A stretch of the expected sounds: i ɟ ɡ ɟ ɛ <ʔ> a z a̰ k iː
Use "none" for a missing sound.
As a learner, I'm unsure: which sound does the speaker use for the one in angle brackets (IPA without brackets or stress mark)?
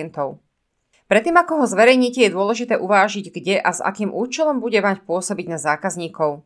ʔ